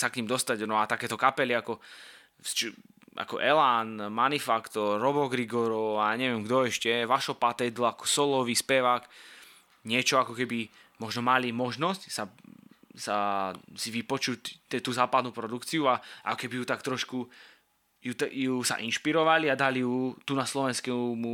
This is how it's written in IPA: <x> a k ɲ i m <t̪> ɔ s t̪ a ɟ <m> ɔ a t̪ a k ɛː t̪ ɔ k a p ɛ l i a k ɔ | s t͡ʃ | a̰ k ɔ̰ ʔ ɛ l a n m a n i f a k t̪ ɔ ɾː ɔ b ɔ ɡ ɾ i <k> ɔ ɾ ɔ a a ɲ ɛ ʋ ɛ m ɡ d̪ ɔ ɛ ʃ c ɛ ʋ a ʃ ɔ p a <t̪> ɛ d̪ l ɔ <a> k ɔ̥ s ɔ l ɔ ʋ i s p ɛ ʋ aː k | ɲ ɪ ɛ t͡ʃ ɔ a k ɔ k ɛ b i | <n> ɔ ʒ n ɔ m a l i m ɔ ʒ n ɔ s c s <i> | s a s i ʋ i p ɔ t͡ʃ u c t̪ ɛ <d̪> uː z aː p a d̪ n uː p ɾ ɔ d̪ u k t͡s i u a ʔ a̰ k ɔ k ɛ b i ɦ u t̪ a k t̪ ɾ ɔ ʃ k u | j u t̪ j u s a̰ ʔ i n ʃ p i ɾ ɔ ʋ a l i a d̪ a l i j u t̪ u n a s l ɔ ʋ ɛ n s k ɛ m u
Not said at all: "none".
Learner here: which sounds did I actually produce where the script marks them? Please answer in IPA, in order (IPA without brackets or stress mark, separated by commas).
s, d̪, n, ɡ, t̪, a, m, a, t̪